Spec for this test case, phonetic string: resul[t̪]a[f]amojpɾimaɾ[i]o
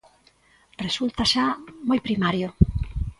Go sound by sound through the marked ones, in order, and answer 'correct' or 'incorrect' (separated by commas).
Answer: correct, incorrect, incorrect